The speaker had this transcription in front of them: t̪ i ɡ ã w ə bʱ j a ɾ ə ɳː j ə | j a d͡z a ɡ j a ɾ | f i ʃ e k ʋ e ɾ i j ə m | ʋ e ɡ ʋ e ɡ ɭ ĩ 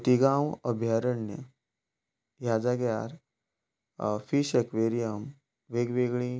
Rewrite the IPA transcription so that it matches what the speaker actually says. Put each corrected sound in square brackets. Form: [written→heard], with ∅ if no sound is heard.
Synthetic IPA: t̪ i ɡ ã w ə bʱ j a ɾ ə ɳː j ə | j a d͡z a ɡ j a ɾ | f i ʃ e k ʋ e ɾ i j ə m | ʋ e ɡ ʋ e ɡ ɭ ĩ